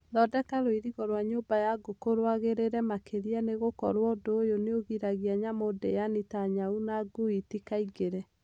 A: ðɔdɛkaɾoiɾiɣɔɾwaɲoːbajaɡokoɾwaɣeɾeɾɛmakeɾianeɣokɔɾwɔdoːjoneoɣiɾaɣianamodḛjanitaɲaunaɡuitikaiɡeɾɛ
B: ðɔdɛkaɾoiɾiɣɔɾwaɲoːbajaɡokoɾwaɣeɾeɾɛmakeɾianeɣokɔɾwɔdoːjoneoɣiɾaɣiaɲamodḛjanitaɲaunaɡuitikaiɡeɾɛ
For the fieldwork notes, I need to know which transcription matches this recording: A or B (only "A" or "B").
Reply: B